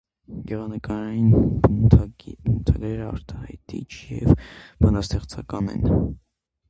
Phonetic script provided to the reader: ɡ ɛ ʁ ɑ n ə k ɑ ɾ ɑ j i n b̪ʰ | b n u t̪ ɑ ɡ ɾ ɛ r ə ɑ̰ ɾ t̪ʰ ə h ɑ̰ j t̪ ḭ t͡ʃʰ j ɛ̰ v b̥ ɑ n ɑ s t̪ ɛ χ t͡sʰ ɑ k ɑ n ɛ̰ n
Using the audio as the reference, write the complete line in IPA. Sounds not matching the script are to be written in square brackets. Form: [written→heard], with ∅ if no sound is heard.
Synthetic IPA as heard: ɡ ɛ ʁ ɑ n ə k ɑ ɾ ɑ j i n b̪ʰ | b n u [t̪→t̪ʰ] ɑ ɡ ɾ ɛ [r→ɾ] ə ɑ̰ ɾ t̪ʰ [ə→ɑ] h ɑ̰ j t̪ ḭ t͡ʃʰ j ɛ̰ v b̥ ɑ n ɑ s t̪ ɛ χ t͡sʰ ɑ k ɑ n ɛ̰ n